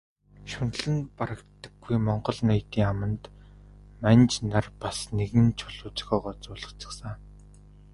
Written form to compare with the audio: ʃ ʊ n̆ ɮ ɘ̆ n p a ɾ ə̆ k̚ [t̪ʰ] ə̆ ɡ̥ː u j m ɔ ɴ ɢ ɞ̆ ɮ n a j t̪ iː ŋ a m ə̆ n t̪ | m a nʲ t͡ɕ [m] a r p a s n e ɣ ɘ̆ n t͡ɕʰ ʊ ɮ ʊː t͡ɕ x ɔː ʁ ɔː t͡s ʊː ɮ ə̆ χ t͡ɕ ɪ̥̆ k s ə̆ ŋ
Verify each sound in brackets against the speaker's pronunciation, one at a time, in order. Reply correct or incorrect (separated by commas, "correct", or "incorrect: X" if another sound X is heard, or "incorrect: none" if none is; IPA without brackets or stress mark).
incorrect: t̪, incorrect: n